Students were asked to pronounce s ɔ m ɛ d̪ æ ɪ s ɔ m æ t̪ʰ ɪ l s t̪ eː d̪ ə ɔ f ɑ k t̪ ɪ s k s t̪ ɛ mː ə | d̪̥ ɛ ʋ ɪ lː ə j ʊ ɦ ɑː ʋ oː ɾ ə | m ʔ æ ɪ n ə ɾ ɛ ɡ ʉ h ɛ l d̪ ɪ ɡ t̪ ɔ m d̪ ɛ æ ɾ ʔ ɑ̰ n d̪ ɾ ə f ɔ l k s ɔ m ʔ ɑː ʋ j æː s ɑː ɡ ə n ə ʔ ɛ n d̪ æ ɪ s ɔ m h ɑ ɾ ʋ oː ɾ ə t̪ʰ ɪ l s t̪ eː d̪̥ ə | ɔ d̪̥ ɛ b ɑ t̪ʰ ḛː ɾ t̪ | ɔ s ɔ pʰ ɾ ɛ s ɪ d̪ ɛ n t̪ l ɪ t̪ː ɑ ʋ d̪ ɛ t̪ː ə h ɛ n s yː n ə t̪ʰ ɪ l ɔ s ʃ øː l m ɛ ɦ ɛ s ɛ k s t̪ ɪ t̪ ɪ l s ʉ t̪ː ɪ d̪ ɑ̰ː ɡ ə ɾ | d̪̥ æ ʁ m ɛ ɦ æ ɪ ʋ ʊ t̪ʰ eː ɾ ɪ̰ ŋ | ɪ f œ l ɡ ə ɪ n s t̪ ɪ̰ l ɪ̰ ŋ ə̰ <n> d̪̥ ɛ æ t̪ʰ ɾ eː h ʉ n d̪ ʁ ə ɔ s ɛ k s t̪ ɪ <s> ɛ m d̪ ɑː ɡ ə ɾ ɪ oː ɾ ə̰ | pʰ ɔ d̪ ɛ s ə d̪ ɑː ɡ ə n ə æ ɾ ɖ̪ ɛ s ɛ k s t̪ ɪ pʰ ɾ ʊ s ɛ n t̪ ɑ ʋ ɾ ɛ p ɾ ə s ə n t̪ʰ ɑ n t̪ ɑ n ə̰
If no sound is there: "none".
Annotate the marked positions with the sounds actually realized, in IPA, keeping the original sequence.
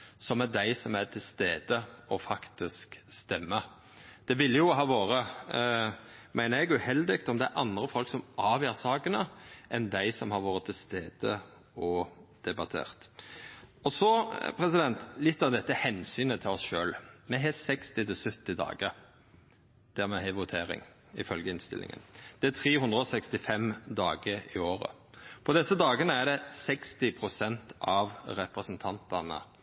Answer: n, f

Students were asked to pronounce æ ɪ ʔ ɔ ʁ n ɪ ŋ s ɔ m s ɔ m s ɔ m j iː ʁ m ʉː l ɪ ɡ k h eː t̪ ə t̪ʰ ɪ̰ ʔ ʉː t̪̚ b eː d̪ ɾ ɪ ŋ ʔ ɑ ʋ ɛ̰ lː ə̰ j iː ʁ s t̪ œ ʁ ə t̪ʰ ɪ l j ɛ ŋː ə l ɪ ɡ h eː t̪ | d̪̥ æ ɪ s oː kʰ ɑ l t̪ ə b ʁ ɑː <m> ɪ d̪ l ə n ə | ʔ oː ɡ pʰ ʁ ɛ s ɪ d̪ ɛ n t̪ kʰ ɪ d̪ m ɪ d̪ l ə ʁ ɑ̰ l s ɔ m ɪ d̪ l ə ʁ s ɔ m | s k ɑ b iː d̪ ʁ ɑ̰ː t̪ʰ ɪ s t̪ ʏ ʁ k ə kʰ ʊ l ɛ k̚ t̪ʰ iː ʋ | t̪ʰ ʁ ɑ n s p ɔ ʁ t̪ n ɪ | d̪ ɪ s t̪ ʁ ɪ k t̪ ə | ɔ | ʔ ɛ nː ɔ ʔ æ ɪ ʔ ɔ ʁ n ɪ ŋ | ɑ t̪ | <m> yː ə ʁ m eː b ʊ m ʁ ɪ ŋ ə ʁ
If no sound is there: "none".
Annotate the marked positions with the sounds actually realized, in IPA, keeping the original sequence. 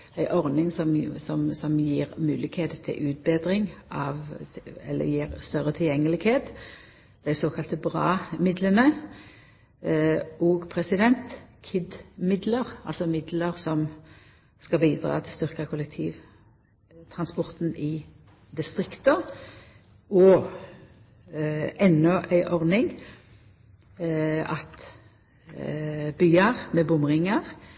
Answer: m, b

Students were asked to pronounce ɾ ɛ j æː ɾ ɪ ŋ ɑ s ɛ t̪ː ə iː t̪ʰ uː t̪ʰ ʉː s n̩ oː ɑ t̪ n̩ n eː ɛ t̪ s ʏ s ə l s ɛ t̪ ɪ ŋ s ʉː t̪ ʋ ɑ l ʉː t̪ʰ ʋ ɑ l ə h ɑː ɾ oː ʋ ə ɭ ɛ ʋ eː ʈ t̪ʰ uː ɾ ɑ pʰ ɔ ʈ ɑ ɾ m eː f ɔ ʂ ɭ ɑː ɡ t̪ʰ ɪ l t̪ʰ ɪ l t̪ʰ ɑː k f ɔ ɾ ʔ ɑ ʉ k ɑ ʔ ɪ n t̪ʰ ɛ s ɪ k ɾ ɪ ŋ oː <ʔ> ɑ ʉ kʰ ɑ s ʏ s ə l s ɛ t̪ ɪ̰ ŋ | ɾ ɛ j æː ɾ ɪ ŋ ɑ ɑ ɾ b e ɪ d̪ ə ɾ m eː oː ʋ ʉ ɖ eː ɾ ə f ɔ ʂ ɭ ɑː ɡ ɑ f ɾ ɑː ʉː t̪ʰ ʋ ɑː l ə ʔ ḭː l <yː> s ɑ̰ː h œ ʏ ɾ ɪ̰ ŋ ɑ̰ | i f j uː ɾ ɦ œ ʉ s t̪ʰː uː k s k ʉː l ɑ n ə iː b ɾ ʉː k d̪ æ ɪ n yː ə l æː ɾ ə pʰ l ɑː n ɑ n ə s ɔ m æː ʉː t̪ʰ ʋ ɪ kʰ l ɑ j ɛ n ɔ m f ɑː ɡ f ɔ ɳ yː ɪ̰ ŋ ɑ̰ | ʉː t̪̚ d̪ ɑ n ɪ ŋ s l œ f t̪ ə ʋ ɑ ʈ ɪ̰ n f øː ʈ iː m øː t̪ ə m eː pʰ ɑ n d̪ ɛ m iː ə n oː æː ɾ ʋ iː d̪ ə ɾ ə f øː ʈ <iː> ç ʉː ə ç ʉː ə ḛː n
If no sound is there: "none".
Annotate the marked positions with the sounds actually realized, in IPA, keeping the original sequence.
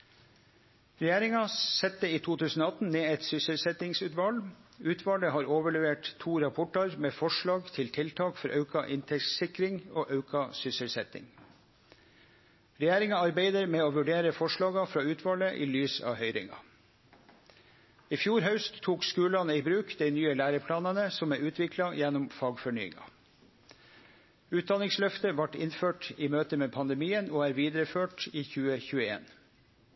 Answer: ʔ, yː, iː

